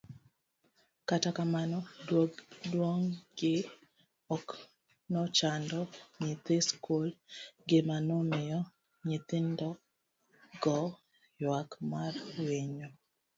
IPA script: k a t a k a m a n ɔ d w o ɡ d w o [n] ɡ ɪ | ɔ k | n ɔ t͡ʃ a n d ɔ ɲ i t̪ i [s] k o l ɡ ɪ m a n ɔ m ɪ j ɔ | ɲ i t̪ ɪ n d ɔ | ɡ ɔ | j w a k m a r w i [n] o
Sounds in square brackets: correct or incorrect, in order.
incorrect: ŋ, correct, incorrect: ɲ

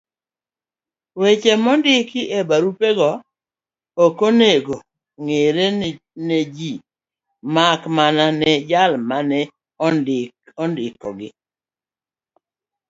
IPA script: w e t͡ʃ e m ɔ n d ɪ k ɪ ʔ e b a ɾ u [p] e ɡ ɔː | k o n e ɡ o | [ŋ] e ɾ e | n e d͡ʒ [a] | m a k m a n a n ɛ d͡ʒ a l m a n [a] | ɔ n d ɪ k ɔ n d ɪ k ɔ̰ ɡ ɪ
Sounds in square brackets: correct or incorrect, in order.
correct, correct, incorrect: i, incorrect: ɛ

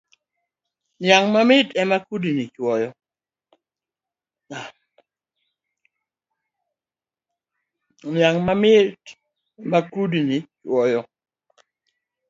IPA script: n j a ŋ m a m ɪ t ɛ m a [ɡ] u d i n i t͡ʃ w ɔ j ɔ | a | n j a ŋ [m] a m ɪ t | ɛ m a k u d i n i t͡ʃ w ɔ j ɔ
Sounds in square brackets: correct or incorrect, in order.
incorrect: k, correct

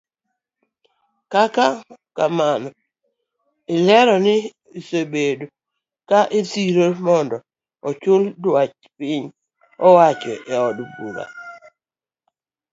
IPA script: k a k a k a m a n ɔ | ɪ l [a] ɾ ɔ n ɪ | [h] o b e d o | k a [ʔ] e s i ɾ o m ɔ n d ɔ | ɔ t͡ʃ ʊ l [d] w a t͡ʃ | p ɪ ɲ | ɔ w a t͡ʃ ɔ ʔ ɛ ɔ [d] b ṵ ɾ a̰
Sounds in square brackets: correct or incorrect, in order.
incorrect: ɛ, incorrect: s, correct, correct, correct

